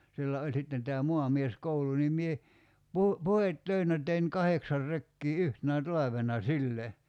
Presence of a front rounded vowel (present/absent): present